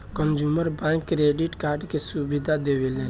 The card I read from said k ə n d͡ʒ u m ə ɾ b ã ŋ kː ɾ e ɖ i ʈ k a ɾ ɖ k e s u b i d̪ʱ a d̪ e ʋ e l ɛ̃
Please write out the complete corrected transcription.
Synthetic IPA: k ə n d͡ʒ u m ə ɾ b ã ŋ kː ɾ e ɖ i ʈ k a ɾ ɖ k e s u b i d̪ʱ a d̪ e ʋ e l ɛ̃

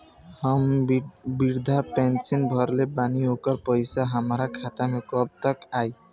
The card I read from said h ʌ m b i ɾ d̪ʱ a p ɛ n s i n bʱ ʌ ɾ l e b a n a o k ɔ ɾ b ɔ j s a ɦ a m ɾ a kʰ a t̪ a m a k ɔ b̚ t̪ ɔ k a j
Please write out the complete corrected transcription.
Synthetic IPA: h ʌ m b i ɾ d̪ʱ a p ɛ n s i n bʱ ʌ ɾ l e b a n i o k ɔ ɾ p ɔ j s a ɦ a m ɾ a kʰ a t̪ a m e k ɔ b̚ t̪ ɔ k a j

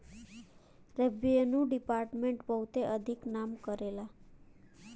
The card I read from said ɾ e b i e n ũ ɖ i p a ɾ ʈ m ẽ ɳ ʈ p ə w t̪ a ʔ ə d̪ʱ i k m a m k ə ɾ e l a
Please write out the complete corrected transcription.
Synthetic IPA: ɾ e b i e n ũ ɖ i p a ɾ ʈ m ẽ ɳ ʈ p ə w t̪ e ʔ ə d̪ʱ i k n a m k ə ɾ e l a

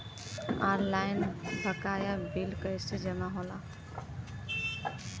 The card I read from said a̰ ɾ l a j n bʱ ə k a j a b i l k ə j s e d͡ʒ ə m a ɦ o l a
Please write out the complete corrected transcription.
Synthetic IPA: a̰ ɾ l a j n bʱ ə k a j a b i l k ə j s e d͡ʒ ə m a ɦ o l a

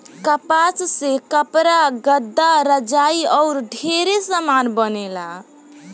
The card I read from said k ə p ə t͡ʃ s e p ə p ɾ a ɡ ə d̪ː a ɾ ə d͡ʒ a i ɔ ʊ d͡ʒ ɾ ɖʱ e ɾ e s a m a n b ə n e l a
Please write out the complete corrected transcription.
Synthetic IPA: k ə p a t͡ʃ s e k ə p ɾ a ɡ ə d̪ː a ɾ ə d͡ʒ a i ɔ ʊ ɾ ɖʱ e ɾ e s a m a n b ə n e l a

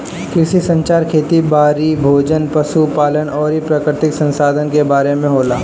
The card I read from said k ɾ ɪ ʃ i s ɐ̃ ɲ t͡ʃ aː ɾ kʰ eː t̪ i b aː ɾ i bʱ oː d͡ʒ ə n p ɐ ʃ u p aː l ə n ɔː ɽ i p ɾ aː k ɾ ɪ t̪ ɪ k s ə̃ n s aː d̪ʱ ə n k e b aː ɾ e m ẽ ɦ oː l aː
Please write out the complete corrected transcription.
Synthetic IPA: k ɾ ɪ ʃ i s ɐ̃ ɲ t͡ʃ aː ɾ kʰ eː t̪ i b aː ɾ i bʱ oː d͡ʒ ə n p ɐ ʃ u p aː l ə n ɔː ɾ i p ɾ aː k ɾ ɪ t̪ ɪ k s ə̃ n s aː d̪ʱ ə n k e b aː ɾ e m ẽ ɦ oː l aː

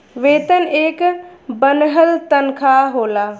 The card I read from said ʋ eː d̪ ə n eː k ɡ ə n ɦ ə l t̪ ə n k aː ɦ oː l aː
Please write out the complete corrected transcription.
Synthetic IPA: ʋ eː t̪ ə n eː k b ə n ɦ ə l t̪ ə n kʰ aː ɦ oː l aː

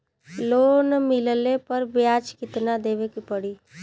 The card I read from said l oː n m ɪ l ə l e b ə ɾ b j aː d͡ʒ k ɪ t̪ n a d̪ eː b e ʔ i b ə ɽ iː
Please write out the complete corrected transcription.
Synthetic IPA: l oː n m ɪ l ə l e p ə ɾ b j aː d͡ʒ k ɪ t̪ n a d̪ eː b e k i p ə ɽ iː

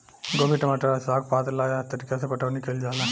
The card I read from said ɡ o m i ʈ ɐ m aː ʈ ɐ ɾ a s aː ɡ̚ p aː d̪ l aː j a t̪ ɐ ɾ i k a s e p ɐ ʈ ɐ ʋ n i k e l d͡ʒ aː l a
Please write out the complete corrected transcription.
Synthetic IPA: ɡ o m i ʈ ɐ m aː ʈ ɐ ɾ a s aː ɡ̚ p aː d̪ l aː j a t̪ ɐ ɾ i k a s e p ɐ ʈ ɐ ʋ n i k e l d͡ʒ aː l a

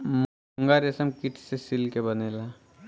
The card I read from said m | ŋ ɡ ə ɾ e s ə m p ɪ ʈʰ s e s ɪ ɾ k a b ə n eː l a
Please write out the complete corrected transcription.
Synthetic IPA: m | ŋ ɡ a ɾ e s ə m k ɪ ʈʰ s e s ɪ l k e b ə n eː l a

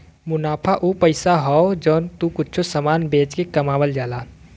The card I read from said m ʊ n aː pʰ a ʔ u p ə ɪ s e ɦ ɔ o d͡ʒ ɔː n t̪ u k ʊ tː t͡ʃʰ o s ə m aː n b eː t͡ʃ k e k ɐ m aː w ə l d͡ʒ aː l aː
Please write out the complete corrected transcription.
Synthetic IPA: m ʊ n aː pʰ a ʔ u p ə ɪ s a ɦ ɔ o d͡ʒ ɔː n t̪ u k ʊ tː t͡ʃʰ o s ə m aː n b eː t͡ʃ k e k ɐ m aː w ə l d͡ʒ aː l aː

